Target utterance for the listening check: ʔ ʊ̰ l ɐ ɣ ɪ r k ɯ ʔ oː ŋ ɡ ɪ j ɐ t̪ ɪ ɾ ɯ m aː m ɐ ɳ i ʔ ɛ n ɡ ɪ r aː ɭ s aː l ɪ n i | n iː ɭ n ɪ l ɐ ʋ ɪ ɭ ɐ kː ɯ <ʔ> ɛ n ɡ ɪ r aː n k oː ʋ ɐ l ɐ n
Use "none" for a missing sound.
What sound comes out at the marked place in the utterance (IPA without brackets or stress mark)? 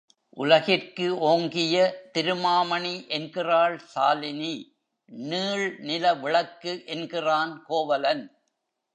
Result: ʔ